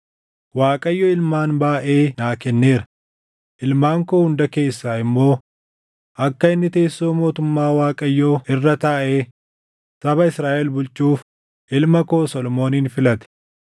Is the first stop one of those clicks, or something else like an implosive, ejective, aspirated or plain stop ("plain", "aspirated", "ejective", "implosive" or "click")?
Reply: ejective